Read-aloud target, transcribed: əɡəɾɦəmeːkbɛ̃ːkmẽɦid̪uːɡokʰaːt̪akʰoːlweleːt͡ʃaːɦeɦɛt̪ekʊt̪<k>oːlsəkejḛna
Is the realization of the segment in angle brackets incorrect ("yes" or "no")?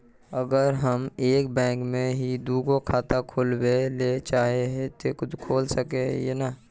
yes